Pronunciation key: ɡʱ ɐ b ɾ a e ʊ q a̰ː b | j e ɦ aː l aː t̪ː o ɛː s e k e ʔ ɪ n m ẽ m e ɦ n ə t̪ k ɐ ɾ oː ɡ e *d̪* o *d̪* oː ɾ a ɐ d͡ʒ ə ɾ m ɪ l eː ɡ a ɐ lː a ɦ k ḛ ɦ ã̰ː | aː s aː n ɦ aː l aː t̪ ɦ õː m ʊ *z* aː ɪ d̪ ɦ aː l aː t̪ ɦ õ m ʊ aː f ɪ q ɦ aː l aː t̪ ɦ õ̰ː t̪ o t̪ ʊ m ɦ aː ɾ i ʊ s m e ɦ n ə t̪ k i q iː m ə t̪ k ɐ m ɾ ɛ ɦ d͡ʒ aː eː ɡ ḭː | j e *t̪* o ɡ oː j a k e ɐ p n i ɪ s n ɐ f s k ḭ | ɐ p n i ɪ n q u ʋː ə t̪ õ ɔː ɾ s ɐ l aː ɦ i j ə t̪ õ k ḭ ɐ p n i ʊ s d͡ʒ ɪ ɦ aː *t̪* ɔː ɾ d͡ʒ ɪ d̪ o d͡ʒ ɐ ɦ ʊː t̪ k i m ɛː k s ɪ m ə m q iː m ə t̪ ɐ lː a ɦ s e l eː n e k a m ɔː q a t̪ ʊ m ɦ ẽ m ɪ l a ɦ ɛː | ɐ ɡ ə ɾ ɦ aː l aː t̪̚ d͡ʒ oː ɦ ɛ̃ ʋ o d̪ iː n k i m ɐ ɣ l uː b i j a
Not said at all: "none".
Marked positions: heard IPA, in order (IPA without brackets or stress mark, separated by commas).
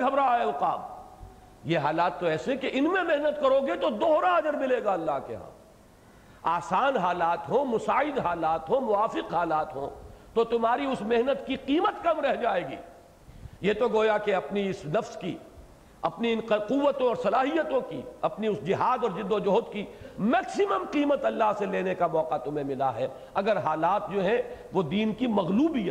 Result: t̪, d̪, s, t̪, d̪